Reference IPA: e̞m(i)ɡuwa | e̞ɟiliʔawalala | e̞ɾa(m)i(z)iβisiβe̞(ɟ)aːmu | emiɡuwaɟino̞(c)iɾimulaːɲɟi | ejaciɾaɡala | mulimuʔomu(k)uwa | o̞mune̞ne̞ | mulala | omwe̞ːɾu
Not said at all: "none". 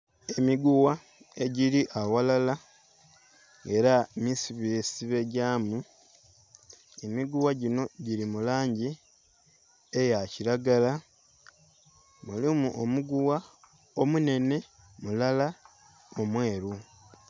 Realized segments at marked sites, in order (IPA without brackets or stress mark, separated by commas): i, m, s, ɟ, ɟ, ɡ